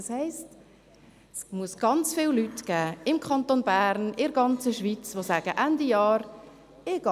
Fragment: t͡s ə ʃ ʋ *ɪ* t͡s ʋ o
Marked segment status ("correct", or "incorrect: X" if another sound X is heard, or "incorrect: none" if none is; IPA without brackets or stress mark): incorrect: i